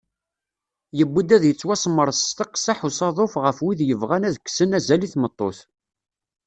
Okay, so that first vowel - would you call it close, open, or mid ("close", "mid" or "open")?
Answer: mid